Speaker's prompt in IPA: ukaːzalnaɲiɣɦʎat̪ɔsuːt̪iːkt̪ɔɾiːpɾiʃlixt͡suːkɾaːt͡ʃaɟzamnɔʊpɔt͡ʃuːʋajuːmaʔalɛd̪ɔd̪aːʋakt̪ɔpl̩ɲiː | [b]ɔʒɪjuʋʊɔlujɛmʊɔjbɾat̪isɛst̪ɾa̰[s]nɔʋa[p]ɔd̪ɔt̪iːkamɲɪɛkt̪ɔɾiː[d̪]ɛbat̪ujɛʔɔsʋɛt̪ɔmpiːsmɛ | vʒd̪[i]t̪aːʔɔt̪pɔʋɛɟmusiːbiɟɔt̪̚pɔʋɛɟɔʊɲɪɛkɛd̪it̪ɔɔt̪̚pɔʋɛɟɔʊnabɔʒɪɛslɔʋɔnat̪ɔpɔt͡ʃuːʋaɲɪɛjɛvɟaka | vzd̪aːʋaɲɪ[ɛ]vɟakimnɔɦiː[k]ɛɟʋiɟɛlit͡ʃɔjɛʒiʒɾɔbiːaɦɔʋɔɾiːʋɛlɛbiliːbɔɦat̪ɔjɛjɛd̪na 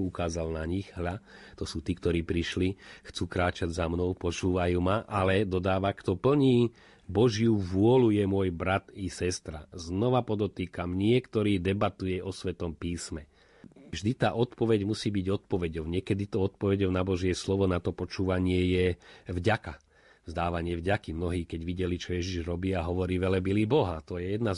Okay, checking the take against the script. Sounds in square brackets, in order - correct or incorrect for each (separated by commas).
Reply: correct, incorrect, correct, correct, correct, correct, correct